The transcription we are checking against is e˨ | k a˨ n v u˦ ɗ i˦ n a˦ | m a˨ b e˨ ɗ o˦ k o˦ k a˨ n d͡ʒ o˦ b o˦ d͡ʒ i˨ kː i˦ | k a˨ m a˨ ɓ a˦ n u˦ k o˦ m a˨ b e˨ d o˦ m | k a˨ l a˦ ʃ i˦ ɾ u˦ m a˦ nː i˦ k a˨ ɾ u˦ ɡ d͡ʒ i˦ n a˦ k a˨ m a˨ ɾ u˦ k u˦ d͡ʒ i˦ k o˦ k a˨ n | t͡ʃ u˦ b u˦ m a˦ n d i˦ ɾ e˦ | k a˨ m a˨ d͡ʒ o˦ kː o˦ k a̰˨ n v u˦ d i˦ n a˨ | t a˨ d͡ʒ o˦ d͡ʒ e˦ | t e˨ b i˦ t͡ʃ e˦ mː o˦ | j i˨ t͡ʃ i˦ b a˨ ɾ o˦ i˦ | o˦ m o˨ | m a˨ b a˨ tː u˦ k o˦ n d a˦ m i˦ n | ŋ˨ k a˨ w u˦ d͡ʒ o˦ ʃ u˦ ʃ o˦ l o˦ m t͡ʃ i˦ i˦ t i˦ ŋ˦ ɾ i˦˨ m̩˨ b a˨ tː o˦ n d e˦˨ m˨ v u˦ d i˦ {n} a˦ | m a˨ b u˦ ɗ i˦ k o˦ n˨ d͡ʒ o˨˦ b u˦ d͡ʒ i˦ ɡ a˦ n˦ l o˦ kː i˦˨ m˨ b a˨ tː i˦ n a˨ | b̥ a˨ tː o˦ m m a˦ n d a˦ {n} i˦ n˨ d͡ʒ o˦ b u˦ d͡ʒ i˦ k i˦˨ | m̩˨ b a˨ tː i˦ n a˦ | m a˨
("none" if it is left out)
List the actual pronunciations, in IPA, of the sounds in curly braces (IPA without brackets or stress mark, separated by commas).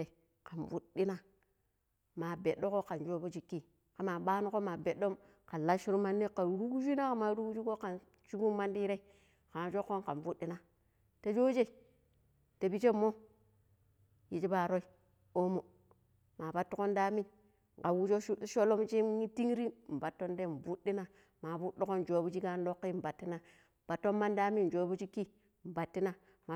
n, m